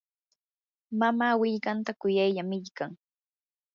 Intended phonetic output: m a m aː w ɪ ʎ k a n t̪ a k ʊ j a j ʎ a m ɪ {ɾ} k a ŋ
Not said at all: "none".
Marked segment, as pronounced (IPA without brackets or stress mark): ʎ